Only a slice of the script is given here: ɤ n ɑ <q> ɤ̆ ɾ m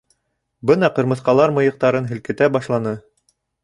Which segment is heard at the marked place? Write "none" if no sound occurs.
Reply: q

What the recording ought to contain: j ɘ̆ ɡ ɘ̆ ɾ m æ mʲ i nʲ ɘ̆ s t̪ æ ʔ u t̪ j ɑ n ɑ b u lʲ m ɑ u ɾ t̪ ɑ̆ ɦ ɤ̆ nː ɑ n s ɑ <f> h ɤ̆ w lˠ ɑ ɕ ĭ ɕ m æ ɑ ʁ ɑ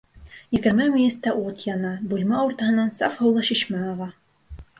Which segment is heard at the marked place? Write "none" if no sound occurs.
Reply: f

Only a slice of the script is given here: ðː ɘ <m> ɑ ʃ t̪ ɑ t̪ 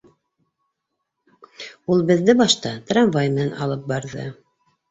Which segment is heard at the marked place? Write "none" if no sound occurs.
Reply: b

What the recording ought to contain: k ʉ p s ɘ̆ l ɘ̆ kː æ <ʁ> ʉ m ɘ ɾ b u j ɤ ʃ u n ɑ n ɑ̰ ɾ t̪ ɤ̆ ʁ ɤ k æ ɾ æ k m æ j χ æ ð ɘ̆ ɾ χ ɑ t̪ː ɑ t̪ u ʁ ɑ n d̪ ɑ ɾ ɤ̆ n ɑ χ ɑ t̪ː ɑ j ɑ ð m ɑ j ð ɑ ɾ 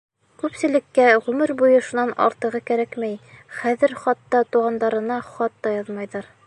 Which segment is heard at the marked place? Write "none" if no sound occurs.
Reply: ʁ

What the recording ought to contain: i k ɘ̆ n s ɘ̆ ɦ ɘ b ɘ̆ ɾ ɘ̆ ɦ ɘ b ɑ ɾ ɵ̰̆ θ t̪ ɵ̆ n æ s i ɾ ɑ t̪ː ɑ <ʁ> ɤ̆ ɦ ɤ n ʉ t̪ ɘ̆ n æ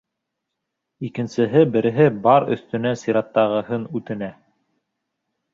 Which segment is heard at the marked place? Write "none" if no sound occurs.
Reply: ʁ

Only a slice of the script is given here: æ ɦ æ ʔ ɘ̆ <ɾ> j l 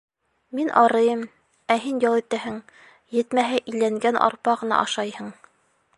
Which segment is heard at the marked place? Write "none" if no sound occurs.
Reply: none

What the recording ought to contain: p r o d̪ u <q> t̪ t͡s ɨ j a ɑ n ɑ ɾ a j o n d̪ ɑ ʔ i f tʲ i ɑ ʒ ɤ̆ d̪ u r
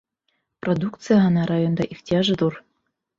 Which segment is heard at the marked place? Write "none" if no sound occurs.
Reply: k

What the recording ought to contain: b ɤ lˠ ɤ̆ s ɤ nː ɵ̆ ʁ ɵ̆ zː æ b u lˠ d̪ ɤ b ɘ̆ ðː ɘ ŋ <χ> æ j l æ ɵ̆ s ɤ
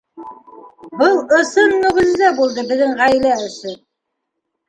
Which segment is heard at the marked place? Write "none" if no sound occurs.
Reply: ʁ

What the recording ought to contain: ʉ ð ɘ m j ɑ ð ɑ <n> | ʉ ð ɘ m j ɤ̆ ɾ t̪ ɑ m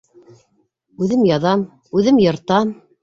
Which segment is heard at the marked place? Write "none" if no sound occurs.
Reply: m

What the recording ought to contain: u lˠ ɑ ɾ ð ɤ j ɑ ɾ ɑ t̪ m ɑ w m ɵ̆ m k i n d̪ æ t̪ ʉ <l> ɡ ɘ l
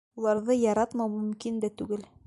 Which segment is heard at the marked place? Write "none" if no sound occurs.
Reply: none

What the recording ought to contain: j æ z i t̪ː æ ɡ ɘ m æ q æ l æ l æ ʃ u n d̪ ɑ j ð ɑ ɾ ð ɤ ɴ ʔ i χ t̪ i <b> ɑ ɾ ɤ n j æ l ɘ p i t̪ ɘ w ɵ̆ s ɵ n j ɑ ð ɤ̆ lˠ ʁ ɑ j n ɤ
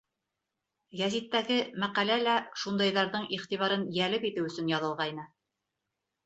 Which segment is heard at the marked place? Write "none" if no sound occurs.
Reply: β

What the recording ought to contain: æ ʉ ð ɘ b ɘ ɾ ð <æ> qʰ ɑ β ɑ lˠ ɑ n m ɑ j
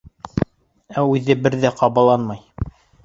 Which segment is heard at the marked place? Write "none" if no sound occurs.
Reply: æ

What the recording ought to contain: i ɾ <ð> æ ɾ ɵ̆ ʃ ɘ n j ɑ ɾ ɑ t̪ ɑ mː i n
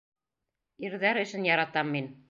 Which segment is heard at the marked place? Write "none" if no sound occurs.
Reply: ð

